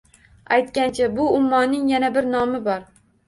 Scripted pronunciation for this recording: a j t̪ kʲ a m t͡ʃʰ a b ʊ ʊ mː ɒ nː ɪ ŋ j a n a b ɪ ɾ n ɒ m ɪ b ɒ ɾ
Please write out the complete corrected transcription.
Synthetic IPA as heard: a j t̪ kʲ a n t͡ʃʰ a b ʊ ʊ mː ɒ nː ɪ ŋ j a n a b ɪ ɾ n ɒ m ɪ b ɒ ɾ

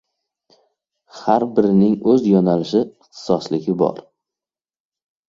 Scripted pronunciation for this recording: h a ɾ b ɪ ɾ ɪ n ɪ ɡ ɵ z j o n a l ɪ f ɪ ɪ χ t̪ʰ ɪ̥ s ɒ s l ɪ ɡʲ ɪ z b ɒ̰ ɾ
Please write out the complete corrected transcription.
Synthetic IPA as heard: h a ɾ b ɪ ɾ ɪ n ɪ ŋ ɵ z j ɒ n a l ɪ ʃ ɪ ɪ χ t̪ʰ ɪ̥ s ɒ s l ɪ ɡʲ ɪ b ɒ̰ ɾ

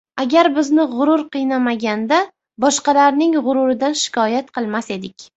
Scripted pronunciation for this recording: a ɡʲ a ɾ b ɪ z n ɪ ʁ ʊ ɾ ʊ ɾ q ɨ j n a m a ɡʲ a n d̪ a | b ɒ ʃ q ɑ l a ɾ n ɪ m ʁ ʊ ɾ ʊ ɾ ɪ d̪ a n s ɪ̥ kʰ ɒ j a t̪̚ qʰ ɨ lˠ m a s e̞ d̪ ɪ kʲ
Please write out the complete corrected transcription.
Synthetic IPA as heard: a ɡʲ a ɾ b ɪ z n ɪ ʁ ʊ ɾ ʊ ɾ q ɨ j n a m a ɡʲ a n d̪ a | b ɒ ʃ q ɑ l a ɾ n ɪ ŋ ʁ ʊ ɾ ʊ ɾ ɪ d̪ a n ʃ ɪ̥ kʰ ɒ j a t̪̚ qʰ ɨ lˠ m a s e̞ d̪ ɪ kʲ

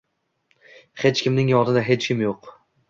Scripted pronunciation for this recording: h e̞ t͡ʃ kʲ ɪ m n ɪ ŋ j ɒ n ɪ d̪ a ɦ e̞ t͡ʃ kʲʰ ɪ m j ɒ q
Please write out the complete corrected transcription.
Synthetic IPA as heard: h e̞ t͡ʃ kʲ ɪ m n ɪ ŋ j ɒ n ɪ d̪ a ɦ e̞ t͡ʃ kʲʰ ɪ m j o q

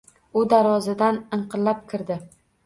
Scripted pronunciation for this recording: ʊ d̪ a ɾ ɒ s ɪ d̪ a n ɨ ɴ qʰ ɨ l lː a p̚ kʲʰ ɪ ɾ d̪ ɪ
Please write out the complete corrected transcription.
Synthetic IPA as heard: ʊ d̪ a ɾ ɒ z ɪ d̪ a n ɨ ɴ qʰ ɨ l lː a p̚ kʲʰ ɪ ɾ d̪ ɪ

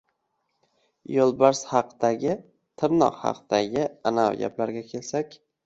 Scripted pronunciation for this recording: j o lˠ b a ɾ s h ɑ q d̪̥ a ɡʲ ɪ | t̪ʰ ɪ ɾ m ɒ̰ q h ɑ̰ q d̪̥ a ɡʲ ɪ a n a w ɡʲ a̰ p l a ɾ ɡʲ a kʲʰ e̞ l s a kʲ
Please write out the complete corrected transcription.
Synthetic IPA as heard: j o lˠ b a ɾ s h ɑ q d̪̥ a ɡʲ ɪ | t̪ʰ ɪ ɾ n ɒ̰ q h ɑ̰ q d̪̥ a ɡʲ ɪ a n a w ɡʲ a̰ p l a ɾ ɡʲ a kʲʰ e̞ l s a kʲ

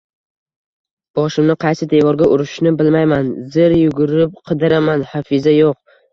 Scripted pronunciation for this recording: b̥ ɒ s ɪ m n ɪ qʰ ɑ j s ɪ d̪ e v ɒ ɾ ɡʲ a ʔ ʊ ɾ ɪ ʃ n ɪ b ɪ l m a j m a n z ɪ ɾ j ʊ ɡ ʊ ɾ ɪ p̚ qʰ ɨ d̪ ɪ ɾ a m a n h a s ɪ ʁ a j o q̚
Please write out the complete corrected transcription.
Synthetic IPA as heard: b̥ ɒ ʃ ɪ m n ɪ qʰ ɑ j s ɪ d̪ e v ɒ ɾ ɡʲ a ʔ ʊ ɾ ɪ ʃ n ɪ b ɪ l m a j m a n z ɪ ɾ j ʊ ɡ ʊ ɾ ɪ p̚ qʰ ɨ d̪ ɪ ɾ a m a n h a f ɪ z a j o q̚

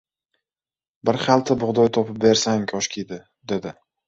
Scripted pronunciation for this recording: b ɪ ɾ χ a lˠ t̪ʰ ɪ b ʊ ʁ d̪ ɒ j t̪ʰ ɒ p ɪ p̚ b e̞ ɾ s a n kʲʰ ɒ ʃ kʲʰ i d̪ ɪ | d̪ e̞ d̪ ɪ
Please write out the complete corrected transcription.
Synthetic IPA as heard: b ɪ ɾ χ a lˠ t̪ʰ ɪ b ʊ ʁ d̪ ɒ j t̪ʰ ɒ p ɪ p̚ b e̞ ɾ s a ŋ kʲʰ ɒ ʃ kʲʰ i d̪ ɪ | d̪ e̞ d̪ ɪ

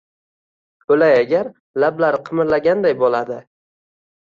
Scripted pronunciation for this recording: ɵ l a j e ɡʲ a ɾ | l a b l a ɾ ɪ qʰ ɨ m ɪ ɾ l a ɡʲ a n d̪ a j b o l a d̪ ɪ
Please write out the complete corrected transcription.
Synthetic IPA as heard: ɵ l a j a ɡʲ a ɾ | l a b l a ɾ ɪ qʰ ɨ m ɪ ɾ l a ɡʲ a n d̪ a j b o l a d̪ ɪ

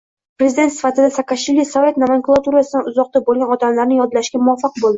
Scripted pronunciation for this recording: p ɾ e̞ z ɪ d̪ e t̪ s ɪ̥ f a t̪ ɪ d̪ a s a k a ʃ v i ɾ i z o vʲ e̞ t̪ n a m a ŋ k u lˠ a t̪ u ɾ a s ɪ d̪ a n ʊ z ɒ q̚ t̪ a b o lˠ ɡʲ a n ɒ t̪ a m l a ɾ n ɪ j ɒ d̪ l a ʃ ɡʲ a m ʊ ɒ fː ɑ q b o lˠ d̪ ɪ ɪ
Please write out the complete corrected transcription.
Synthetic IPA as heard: p ɾ e̞ z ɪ d̪ e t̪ s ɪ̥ f a t̪ ɪ d̪ a s a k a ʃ v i l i s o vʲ e̞ t̪ n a m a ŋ k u lˠ a t̪ u ɾ a s ɪ d̪ a n ʊ z ɒ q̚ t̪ a b o lˠ ɡʲ a n ɒ t̪ a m l a ɾ n ɪ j ɒ d̪ l a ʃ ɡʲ a m ʊ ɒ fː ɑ q b o lˠ d̪ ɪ ɪ

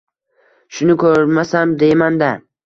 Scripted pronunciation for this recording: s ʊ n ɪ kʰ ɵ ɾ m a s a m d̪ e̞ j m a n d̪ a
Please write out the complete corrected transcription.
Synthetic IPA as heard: ʃ ʊ n ɪ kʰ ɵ ɾ m a s a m d̪ e̞ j m a n d̪ a

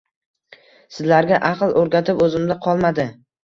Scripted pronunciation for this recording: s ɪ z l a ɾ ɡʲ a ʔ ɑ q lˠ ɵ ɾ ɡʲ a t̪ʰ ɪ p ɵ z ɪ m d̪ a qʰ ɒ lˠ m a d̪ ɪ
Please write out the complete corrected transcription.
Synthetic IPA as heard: s ɪ z l a ɾ ɡʲ a ʔ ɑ q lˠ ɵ ɾ ɡʲ a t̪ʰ ɪ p ɵ z ɪ m d̪ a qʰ ɒ lˠ m a d̪ ɪ

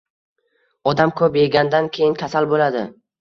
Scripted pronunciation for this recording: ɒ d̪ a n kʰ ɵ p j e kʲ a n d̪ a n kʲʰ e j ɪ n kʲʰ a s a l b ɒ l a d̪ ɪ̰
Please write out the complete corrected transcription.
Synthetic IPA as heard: ɒ d̪ a m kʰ ɵ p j e ɡʲ a n d̪ a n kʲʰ e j ɪ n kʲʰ a s a l b o l a d̪ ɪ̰

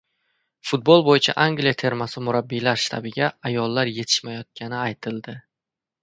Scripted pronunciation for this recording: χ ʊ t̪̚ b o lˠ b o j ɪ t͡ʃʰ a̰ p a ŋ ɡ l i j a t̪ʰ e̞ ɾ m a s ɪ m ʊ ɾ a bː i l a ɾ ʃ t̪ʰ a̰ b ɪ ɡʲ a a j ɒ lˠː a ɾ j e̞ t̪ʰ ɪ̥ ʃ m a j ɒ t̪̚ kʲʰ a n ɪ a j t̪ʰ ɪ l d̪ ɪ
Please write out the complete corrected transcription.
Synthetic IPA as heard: f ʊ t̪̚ b o lˠ b o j ɪ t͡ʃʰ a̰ ʔ a ŋ ɡ l i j a t̪ʰ e̞ ɾ m a s ɪ m ʊ ɾ a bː i l a ɾ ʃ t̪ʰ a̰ b ɪ ɡʲ a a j ɒ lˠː a ɾ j e̞ t̪ʰ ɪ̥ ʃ m a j ɒ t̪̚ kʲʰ a n ɪ a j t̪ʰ ɪ l d̪ ɪ

